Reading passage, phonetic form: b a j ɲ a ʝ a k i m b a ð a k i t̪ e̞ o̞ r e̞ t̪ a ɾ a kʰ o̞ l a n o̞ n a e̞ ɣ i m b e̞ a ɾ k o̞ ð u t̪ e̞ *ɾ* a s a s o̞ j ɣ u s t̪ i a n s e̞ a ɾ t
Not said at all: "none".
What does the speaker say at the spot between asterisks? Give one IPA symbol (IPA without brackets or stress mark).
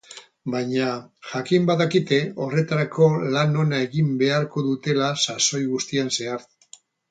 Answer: l